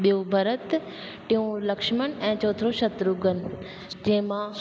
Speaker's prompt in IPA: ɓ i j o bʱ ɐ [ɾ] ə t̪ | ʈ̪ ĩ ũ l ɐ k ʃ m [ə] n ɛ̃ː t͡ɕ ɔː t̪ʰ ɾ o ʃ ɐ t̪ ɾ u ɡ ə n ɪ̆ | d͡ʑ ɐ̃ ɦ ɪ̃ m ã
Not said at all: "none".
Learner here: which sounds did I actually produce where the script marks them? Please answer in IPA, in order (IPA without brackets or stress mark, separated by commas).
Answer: ɾ, ə